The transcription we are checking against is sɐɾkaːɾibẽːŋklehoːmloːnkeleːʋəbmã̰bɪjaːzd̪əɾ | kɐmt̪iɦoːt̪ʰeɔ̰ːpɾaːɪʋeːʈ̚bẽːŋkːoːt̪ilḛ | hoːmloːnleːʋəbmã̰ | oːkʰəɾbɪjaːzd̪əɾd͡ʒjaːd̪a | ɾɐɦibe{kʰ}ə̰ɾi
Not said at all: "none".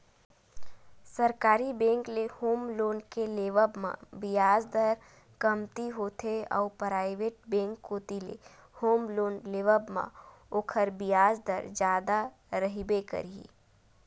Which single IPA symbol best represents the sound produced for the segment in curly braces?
k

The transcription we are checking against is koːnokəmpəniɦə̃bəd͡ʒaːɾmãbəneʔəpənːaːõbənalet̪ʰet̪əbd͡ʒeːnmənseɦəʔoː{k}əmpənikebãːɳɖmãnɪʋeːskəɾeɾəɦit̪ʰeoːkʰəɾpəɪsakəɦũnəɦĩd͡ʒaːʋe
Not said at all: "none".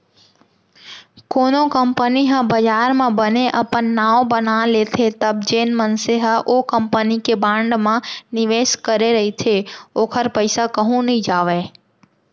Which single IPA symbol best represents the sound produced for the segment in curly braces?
k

